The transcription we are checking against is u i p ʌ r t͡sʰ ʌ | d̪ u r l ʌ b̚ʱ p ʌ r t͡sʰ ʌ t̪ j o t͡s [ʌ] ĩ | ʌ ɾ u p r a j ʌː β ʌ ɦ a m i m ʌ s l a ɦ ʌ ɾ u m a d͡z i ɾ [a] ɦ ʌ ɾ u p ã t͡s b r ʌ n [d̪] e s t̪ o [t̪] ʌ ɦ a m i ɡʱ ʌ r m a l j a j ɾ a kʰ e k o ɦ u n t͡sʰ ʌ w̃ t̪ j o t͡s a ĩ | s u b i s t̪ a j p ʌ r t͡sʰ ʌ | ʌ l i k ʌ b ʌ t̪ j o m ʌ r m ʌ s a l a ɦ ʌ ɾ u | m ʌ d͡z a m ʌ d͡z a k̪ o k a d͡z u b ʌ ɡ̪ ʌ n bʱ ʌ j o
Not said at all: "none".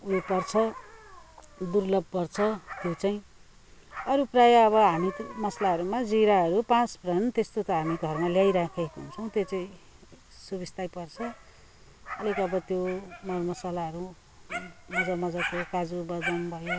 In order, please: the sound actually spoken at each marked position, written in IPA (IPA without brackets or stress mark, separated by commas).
a, a, t̪, t̪